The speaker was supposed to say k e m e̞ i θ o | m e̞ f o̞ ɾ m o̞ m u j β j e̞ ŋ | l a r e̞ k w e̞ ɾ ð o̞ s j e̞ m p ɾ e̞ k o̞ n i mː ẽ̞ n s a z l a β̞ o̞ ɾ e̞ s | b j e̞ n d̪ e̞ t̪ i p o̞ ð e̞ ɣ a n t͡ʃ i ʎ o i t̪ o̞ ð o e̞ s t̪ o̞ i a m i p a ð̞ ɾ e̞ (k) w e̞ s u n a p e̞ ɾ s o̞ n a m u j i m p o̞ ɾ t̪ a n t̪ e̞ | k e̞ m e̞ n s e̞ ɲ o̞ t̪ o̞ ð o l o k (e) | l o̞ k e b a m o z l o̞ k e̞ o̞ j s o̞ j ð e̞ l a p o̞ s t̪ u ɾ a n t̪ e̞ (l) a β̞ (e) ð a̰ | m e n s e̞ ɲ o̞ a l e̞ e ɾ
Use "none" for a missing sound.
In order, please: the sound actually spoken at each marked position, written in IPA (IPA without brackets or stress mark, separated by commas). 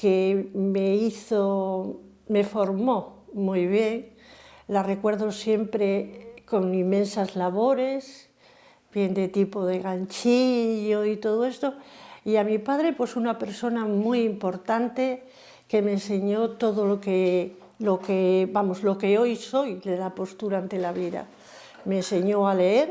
p, e, l, i